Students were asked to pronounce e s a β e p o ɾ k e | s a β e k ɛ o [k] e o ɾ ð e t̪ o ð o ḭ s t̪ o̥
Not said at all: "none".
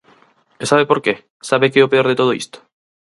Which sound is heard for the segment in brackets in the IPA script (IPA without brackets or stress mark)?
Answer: p